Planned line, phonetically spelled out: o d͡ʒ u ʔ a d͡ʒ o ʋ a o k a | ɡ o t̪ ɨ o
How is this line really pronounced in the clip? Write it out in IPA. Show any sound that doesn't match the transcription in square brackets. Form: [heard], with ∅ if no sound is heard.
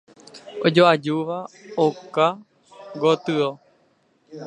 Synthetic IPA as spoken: o d͡ʒ [o] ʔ a d͡ʒ [u] ʋ a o k a | ɡ o t̪ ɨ o